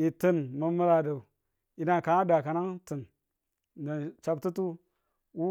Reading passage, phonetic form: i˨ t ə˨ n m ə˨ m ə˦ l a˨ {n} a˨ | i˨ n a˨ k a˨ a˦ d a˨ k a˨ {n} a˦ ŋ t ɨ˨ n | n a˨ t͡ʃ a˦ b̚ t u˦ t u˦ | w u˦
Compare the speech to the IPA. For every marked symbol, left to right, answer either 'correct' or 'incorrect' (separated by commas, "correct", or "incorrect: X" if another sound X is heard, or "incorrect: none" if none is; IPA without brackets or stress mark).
incorrect: d, correct